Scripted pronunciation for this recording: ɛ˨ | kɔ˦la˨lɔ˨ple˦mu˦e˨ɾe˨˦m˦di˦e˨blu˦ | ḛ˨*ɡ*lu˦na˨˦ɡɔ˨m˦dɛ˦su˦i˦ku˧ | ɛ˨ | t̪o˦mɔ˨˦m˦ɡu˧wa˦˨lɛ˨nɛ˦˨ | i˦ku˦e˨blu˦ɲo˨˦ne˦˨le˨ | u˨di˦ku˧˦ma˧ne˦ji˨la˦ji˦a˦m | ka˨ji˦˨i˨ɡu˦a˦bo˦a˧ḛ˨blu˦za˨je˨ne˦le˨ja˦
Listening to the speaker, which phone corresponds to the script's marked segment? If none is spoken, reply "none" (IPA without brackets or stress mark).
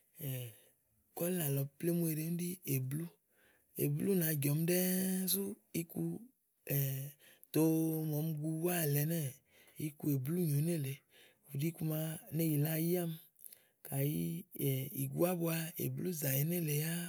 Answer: b